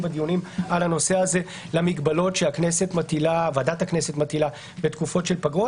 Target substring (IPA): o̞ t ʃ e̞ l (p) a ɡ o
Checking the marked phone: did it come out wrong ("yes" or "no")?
no